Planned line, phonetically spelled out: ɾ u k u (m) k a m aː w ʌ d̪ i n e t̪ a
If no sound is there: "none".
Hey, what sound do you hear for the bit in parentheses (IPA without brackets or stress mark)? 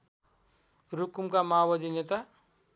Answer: m